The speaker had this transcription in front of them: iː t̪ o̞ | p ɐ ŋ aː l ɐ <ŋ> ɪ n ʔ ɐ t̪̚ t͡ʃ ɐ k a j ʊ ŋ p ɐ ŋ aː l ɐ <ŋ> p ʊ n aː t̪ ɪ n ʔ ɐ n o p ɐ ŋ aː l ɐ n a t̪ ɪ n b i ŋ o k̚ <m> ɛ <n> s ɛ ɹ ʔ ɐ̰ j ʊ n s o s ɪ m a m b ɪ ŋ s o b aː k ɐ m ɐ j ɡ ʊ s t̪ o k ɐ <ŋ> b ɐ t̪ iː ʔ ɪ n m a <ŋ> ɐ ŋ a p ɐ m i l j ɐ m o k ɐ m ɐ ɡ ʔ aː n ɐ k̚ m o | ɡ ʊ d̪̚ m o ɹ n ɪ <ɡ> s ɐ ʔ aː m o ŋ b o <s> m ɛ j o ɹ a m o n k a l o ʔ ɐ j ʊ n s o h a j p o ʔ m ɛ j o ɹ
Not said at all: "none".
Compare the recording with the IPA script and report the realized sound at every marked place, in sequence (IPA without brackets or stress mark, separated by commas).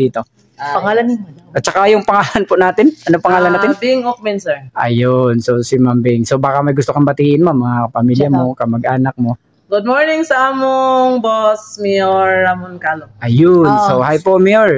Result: n, n, m, n, m, m, ŋ, s